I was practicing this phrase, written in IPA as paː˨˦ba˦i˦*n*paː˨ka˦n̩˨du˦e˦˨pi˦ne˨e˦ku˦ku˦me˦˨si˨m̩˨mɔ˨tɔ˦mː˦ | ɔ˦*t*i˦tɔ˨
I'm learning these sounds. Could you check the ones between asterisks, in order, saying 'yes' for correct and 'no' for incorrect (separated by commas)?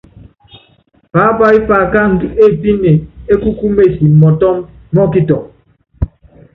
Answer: no, no